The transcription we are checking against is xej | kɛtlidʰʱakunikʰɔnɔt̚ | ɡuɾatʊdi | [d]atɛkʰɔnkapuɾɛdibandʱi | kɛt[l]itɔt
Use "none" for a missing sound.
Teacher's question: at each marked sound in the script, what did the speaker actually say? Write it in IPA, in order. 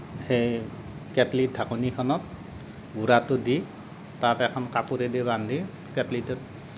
t, l

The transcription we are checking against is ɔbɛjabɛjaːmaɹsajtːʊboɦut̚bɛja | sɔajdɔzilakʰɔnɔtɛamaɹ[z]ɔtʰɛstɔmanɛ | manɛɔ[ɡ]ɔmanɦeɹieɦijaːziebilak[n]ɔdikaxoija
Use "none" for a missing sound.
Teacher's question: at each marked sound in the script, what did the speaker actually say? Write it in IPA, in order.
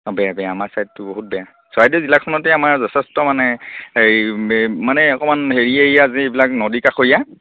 z, k, n

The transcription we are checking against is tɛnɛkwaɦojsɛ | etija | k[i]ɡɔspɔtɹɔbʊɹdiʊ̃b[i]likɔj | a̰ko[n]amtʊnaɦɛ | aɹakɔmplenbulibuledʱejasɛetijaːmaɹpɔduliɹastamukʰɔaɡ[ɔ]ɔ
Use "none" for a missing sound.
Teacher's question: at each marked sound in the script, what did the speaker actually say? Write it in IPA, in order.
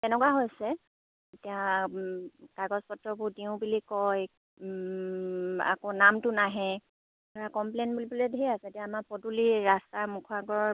a, i, n, ɔ

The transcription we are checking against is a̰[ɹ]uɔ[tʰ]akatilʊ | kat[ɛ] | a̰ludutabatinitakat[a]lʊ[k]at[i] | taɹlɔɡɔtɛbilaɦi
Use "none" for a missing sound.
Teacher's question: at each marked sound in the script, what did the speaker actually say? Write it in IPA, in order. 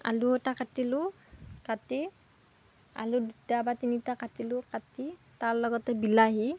l, t, i, i, k, i

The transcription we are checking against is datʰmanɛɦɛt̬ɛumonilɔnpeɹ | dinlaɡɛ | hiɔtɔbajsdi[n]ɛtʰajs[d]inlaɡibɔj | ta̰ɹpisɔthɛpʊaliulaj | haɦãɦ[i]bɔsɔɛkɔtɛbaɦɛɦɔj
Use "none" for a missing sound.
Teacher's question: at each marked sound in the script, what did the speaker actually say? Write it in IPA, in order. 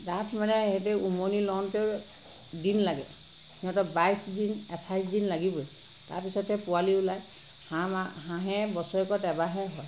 n, d, ɛ

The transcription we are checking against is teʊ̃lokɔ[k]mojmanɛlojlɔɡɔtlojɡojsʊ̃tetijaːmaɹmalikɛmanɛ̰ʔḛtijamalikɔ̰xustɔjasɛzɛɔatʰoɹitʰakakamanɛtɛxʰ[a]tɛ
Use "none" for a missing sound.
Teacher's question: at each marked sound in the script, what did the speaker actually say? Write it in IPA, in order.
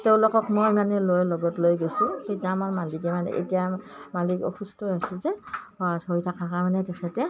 k, ɛ

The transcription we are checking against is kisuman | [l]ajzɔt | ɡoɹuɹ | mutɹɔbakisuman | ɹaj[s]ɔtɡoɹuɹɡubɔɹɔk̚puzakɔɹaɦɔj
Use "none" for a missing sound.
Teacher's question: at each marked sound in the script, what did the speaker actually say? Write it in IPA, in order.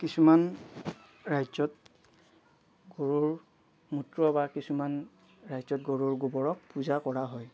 ɹ, z

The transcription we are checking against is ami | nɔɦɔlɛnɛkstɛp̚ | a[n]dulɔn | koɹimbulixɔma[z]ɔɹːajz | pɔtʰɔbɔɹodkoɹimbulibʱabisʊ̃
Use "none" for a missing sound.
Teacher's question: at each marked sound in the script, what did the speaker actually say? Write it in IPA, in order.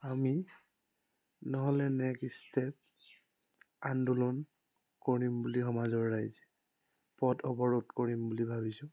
n, z

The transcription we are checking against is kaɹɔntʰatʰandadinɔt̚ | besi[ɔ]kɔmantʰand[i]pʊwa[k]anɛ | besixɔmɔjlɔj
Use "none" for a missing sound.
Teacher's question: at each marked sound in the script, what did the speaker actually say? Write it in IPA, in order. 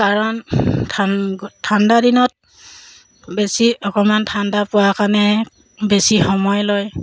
ɔ, a, k

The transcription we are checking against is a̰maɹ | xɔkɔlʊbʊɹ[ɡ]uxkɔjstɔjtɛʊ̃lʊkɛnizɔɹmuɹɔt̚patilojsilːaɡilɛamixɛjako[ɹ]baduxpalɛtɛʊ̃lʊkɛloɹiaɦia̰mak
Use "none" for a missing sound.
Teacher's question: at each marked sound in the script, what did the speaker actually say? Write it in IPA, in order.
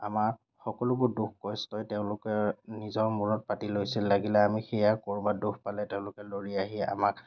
d, ɹ

